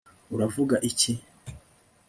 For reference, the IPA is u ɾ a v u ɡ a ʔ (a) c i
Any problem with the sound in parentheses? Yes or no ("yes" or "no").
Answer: yes